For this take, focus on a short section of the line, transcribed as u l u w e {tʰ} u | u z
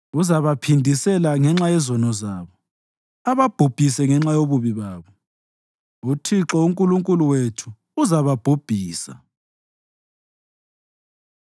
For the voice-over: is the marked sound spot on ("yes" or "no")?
yes